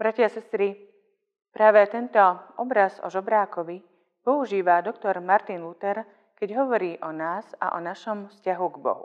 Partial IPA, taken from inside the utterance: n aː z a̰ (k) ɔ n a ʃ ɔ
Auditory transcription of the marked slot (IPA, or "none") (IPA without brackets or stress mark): ʔ